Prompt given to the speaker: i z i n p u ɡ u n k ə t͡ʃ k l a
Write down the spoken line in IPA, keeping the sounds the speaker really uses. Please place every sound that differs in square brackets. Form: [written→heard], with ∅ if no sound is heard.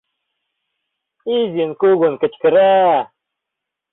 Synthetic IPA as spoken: i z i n [p→k] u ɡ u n k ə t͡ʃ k [l→ɾ] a